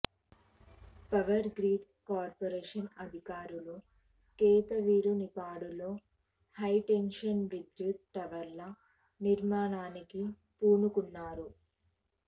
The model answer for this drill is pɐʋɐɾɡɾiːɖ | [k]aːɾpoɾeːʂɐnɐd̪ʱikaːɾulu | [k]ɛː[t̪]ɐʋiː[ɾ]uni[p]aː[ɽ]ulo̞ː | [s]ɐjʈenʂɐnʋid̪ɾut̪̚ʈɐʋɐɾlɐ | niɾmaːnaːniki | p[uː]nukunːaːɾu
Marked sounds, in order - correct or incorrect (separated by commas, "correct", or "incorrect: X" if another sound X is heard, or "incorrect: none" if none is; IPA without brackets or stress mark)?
correct, correct, correct, correct, correct, correct, incorrect: h, correct